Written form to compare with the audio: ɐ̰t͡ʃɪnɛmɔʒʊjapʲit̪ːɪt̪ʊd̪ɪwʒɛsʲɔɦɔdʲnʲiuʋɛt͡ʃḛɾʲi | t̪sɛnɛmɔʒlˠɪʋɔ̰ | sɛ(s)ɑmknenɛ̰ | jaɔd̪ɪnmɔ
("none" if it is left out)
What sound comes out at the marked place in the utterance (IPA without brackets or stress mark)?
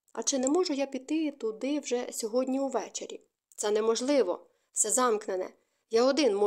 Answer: z